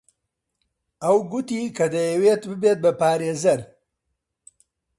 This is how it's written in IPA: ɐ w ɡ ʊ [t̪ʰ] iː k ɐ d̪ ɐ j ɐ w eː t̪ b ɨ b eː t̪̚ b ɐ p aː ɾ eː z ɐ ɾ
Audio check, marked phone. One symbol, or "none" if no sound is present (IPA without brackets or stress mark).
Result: t̪